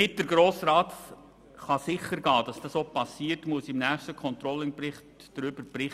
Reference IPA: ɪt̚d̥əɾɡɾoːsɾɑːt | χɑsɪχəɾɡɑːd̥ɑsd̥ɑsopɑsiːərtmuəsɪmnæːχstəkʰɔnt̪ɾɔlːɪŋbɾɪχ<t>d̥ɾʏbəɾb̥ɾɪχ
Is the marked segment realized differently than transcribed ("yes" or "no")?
no